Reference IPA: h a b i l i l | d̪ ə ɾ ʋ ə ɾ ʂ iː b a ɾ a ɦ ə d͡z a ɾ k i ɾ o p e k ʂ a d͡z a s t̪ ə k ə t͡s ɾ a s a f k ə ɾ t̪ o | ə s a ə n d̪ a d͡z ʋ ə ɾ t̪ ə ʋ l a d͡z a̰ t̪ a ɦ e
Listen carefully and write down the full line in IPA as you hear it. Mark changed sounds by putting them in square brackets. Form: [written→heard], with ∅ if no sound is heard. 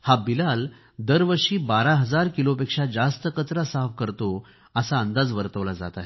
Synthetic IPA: h a b i l [i→a] l | d̪ ə ɾ ʋ ə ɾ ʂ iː b a ɾ a ɦ ə d͡z a ɾ k i [ɾ→l] o p e k ʂ a d͡z a s t̪ ə k ə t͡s ɾ a s a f k ə ɾ t̪ o | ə s a ə n d̪ a d͡z ʋ ə ɾ t̪ ə ʋ l a d͡z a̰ t̪ a ɦ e